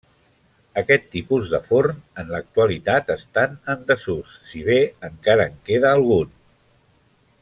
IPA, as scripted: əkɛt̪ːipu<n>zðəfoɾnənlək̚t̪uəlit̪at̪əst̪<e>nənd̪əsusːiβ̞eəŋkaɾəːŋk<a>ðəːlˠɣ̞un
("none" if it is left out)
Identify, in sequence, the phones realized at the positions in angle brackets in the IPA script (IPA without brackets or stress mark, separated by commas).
none, a, e